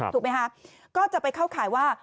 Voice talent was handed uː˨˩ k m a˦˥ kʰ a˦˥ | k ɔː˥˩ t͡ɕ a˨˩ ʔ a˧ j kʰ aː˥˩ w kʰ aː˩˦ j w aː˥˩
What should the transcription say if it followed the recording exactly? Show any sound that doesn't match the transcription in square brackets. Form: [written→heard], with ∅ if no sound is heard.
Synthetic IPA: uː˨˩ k m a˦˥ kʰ a˦˥ | k ɔː˥˩ t͡ɕ a˨˩ [ʔ→p] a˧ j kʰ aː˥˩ w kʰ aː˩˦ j w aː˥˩